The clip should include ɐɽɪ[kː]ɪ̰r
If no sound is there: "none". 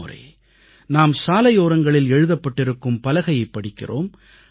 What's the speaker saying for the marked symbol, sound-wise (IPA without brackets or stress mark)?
kː